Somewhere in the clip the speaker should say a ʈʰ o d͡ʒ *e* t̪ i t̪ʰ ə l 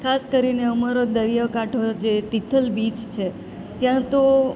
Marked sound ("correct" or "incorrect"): correct